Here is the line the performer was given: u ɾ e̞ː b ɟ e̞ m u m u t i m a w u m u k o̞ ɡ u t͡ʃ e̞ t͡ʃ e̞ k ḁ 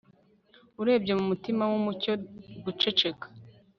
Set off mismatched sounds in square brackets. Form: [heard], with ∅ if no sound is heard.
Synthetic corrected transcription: u ɾ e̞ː b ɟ e̞ m u m u t i m a w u m u [c] o̞ ɡ u t͡ʃ e̞ t͡ʃ e̞ k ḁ